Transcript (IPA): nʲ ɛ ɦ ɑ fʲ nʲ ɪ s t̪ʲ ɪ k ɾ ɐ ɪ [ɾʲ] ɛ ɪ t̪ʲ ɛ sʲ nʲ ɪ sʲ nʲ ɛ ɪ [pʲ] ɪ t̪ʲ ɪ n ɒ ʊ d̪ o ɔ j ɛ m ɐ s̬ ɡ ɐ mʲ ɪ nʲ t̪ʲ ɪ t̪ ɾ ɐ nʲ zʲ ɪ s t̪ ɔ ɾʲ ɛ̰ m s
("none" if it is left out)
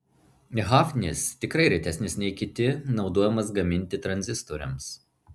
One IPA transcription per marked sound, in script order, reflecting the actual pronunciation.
ɾʲ, kʲ

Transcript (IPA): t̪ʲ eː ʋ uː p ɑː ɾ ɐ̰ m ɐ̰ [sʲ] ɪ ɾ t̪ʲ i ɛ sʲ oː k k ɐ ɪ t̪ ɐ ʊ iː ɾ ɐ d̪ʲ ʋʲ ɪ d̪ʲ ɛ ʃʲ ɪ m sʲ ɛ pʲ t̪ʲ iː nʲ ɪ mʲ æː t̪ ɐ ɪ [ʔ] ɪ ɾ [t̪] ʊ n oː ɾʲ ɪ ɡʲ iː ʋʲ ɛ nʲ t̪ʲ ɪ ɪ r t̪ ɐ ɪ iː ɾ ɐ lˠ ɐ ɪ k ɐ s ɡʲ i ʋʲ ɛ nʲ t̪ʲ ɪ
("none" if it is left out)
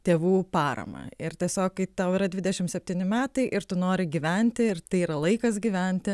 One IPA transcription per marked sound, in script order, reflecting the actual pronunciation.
none, ʔ, t̪

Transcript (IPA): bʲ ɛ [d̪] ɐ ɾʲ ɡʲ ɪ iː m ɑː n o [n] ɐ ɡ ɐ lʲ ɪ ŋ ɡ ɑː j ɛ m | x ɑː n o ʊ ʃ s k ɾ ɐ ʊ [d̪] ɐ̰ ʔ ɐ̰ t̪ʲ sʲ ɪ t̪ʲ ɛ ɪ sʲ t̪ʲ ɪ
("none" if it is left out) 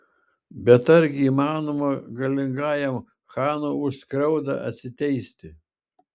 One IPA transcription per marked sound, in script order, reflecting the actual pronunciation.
t̪, m, d̪

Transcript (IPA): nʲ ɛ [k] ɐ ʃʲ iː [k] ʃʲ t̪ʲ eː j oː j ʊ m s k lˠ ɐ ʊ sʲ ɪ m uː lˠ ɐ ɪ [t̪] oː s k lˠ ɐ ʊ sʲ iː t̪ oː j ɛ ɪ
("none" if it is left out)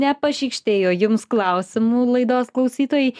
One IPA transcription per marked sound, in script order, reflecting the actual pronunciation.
p, k, d̪

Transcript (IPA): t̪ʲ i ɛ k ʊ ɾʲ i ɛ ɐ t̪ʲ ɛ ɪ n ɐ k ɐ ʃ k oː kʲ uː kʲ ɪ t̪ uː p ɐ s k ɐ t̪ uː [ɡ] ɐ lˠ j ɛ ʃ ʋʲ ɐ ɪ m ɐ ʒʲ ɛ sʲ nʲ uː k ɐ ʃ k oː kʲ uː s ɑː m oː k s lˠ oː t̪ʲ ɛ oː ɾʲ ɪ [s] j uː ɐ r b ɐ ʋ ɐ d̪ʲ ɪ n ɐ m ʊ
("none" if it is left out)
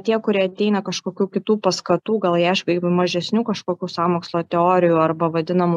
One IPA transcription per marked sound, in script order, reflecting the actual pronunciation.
ɡ, none

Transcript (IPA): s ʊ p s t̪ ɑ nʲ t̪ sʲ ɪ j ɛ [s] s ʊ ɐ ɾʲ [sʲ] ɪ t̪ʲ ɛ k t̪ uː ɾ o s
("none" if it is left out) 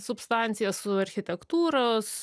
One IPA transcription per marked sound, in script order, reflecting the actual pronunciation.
s, xʲ

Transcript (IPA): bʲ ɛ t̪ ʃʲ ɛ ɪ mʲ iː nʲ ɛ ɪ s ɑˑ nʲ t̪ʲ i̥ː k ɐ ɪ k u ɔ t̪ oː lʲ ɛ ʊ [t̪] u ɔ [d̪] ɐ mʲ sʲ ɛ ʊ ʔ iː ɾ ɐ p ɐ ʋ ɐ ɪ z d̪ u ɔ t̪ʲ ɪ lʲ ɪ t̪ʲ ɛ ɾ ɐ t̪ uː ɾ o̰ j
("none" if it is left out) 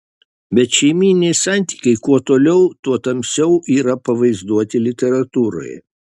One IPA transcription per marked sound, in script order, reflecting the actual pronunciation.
t̪, t̪

